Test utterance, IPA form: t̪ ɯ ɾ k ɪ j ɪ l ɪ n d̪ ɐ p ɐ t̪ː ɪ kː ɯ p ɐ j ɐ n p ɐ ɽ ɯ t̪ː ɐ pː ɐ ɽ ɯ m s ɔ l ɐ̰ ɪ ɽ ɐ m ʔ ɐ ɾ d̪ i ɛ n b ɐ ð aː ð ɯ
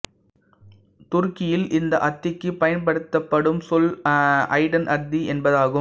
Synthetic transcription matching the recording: t̪ ʊ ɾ k ɪ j ɪ l ɪ n d̪ ɐ ʔ ɐ t̪ː ɪ kː ɯ p ɐ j ɐ n p ɐ ɽ ɯ t̪ː ɐ pː ɐ ɽ ɯ m s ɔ l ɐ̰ ɪ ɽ ɐ n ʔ ɐ ɾ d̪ i ɛ n b ɐ ð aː ɣ ɯ